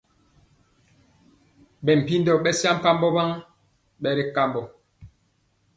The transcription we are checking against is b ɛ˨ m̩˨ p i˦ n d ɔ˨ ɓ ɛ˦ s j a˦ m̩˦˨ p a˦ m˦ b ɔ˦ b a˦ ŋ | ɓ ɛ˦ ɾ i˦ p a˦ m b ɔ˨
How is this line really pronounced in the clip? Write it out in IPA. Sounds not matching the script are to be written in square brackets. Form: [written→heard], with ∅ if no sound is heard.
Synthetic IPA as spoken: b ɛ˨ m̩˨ p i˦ n d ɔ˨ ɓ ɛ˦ s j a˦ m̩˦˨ p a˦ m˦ b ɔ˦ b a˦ ŋ | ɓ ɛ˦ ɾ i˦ [p→k] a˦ m b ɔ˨